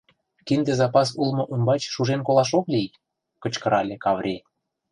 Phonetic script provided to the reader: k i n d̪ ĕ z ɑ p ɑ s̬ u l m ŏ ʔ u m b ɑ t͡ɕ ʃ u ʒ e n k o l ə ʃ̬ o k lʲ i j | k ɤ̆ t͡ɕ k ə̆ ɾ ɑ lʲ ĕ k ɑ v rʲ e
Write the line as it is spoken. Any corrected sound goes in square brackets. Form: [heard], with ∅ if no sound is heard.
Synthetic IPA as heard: k i n d̪ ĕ z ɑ p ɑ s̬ u l m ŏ ʔ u m b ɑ t͡ɕ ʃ u ʒ e n k o l [ɑ] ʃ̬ o k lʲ i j | k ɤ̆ t͡ɕ k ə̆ ɾ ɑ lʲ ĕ k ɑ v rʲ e